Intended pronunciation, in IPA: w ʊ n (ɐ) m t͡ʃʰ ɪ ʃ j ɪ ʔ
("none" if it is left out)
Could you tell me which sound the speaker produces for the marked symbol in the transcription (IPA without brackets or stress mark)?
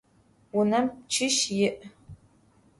ɐ